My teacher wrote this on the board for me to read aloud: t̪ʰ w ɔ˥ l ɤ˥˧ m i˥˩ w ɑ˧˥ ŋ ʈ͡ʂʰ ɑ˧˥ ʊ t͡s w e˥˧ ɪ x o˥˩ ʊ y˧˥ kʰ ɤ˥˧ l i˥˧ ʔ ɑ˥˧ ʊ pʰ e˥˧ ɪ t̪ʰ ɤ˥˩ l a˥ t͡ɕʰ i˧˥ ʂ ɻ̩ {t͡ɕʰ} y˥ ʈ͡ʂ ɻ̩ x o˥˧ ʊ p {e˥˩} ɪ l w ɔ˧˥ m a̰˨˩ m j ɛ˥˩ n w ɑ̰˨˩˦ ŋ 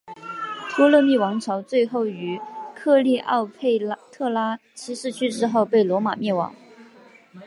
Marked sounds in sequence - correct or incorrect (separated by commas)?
correct, correct